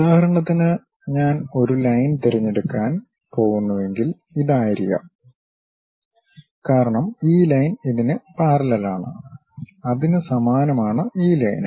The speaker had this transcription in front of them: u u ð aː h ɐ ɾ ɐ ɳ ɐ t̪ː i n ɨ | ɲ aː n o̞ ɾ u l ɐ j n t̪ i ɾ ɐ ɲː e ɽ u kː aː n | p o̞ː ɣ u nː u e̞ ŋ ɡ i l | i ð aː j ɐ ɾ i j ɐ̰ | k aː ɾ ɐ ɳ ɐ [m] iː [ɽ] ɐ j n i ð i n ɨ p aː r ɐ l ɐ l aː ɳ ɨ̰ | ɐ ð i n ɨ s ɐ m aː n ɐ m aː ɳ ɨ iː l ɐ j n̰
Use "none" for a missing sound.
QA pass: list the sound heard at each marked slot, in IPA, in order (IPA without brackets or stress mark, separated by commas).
m, l